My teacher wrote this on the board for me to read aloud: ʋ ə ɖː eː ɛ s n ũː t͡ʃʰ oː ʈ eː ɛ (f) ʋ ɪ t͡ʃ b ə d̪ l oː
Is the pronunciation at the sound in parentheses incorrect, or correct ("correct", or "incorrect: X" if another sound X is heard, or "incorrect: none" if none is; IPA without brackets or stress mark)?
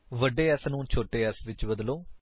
incorrect: s